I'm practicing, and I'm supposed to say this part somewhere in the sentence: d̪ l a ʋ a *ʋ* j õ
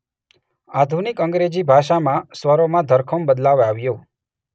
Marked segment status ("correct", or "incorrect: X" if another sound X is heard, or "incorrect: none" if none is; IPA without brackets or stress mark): correct